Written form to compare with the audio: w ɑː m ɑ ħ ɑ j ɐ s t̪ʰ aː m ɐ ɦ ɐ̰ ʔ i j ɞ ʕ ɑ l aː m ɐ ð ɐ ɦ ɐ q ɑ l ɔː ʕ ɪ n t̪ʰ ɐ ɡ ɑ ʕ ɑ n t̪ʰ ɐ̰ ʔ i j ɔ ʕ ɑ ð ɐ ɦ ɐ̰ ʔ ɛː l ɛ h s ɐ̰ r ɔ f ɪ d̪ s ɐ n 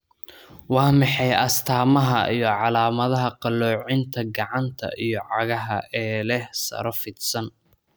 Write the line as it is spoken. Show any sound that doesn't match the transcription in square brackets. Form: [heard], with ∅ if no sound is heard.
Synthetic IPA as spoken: w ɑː m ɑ ħ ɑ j ɐ s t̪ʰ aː m ɐ ɦ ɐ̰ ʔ i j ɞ ʕ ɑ l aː m ɐ ð ɐ ɦ ɐ q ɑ l ɔː ʕ ɪ n t̪ʰ ɐ ɡ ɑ ʕ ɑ n t̪ʰ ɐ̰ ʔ i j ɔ ʕ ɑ [ɣ] ɐ ɦ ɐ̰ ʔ ɛː l ɛ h s ɐ̰ [ɾ] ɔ f ɪ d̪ s ɐ n